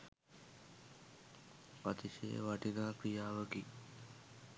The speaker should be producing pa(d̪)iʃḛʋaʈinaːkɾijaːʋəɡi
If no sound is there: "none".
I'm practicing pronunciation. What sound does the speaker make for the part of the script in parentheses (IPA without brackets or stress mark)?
t̪